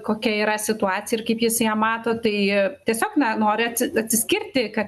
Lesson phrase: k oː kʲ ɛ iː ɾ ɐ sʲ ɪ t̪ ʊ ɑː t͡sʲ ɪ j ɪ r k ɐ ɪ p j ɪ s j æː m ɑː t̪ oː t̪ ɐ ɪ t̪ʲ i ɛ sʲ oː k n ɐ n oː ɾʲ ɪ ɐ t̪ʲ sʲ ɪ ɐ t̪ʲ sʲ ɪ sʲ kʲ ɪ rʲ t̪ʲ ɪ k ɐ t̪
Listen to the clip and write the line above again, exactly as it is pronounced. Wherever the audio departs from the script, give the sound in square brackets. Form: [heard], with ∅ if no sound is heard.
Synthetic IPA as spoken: k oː kʲ ɛ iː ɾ ɐ sʲ ɪ t̪ ʊ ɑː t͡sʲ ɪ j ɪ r k ɐ ɪ p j ɪ s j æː m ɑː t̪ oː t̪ ɐ ɪ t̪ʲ i ɛ sʲ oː k n ɐ n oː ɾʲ ɪ ɐ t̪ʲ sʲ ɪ ɐ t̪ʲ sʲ ɪ sʲ kʲ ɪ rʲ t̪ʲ ɪ k ɐ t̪